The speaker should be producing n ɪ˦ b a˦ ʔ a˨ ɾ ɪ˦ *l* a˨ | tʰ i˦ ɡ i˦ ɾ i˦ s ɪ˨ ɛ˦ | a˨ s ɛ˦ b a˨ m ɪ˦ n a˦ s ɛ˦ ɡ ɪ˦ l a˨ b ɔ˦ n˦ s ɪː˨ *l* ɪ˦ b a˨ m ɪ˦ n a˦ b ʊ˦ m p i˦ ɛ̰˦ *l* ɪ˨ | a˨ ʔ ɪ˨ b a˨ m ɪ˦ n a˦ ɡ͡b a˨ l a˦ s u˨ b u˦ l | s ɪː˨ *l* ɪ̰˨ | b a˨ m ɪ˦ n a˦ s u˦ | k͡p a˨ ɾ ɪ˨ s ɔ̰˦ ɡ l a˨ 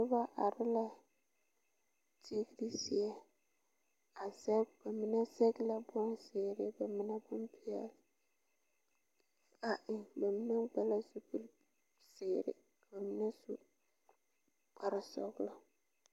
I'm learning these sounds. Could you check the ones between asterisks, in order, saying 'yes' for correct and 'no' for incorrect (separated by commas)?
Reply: yes, no, yes, no